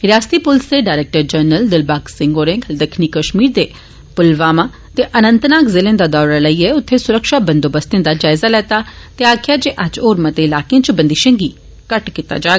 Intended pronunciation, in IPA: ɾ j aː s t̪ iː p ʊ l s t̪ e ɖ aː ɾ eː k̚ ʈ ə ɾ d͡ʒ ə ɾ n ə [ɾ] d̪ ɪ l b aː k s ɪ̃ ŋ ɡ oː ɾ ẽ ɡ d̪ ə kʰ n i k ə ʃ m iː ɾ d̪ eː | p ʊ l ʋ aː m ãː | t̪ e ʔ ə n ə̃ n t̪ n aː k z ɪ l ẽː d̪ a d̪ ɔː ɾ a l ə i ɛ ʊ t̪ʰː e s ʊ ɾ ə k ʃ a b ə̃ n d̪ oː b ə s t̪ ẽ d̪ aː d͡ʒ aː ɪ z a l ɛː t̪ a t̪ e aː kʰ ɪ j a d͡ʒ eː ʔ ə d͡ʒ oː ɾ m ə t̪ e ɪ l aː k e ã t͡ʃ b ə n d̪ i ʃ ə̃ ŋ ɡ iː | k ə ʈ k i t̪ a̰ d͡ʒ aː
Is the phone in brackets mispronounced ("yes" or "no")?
yes